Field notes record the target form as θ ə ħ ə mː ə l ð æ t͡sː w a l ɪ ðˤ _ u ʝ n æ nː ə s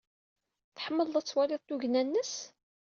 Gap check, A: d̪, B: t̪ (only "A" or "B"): B